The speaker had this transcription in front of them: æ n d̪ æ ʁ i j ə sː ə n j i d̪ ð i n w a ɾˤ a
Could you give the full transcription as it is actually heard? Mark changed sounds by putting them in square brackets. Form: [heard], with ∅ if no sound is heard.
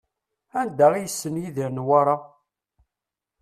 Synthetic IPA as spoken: æ n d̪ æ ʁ i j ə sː ə n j i [∅] ð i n w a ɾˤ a